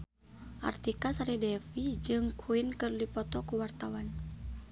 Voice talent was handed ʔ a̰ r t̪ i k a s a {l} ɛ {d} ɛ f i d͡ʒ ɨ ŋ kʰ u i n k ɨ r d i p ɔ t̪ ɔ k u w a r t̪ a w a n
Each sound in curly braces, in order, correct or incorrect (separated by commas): incorrect, correct